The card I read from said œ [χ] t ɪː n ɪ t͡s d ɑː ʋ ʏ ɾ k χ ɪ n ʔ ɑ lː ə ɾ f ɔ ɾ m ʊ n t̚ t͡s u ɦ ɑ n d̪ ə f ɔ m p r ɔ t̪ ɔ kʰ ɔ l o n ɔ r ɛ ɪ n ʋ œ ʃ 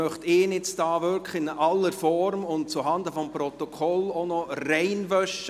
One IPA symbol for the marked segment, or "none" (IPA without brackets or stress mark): χ